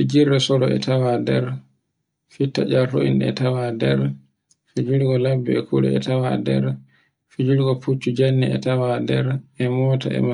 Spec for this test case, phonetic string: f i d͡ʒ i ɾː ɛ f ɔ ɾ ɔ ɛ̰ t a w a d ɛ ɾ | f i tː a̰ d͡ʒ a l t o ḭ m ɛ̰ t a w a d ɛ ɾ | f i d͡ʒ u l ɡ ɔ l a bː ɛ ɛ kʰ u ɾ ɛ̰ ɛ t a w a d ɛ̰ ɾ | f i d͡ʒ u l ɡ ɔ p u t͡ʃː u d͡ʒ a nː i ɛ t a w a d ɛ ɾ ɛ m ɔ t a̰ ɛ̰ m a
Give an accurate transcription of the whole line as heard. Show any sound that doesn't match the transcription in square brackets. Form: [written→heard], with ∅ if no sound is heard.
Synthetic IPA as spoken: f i d͡ʒ i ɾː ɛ [f→s] ɔ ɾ ɔ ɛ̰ t a w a d ɛ ɾ | f i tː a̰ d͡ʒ a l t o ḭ [m→n] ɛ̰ t a w a d ɛ ɾ | f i d͡ʒ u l ɡ ɔ l a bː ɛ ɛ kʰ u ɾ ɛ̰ ɛ t a w a d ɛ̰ ɾ | f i d͡ʒ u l ɡ ɔ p u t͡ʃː u d͡ʒ a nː i ɛ t a w a d ɛ ɾ ɛ m ɔ t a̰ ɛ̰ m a